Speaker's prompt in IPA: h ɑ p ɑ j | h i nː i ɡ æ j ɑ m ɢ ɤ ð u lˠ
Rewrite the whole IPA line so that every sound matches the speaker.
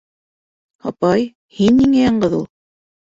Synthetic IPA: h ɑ p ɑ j | h i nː i ŋ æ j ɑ ɴ ɢ ɤ ð u lˠ